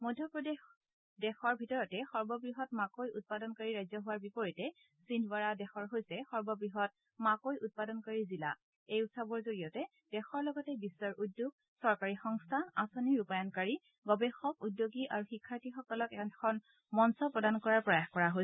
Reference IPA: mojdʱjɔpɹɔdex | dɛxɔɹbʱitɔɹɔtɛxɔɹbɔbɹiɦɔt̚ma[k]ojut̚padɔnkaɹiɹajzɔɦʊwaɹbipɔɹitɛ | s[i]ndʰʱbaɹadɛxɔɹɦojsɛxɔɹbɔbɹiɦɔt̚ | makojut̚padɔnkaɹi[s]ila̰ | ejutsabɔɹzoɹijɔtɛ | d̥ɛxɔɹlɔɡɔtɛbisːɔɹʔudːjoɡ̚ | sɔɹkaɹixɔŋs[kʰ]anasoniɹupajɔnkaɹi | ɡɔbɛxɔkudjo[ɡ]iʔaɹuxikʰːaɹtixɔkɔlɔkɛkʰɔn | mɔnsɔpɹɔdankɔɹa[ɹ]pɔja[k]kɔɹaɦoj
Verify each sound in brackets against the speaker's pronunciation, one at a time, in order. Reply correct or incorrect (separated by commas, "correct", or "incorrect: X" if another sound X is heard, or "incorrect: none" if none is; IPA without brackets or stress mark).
correct, correct, incorrect: z, incorrect: tʰ, correct, correct, incorrect: x